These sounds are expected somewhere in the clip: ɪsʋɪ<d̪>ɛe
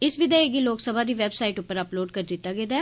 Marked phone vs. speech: correct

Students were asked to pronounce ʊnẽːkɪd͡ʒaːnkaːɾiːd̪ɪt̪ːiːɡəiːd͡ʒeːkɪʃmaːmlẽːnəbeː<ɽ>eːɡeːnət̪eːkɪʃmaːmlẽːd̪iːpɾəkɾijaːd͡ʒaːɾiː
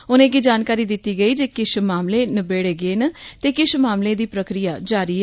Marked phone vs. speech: correct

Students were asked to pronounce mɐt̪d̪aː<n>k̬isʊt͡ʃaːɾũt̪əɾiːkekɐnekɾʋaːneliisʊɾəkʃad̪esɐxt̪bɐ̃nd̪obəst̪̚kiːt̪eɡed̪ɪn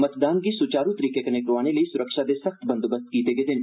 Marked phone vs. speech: correct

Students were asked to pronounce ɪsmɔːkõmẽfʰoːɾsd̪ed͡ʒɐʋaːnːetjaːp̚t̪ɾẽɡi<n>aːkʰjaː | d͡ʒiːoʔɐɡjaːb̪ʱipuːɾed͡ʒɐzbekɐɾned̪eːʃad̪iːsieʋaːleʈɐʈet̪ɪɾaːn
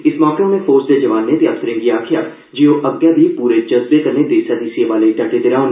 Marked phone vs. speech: incorrect: none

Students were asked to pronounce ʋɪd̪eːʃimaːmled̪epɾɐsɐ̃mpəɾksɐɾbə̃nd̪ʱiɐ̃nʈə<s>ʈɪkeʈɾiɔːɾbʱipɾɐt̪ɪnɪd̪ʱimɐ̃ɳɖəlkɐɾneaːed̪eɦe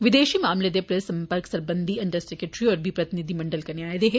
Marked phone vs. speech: correct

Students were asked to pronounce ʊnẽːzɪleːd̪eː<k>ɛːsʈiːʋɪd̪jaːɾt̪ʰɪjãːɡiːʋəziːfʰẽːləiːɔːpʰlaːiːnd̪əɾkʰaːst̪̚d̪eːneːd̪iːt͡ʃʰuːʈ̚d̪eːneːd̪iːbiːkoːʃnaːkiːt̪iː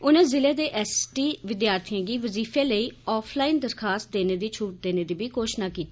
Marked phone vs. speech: incorrect: ʔ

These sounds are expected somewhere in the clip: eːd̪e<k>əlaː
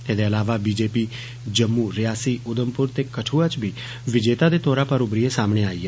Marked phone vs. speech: incorrect: none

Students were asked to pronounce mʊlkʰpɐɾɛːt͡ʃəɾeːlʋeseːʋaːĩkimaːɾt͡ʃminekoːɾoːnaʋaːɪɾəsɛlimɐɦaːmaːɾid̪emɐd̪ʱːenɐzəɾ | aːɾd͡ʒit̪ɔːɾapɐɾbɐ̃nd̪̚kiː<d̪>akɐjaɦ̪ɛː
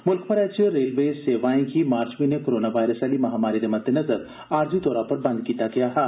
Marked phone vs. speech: incorrect: t̪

